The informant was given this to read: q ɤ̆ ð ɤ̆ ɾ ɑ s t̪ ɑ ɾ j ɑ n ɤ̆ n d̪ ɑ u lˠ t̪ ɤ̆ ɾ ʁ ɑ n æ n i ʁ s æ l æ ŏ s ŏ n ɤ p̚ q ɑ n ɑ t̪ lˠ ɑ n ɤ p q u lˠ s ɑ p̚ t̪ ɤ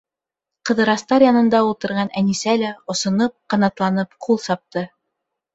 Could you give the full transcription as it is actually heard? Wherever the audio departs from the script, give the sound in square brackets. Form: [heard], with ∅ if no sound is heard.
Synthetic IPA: q ɤ̆ ð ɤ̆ ɾ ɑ s t̪ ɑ ɾ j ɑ n ɤ̆ n d̪ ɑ u lˠ t̪ ɤ̆ ɾ ʁ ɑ n æ n i [∅] s æ l æ ŏ s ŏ n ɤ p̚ q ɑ n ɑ t̪ lˠ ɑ n ɤ p q u lˠ s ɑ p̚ t̪ ɤ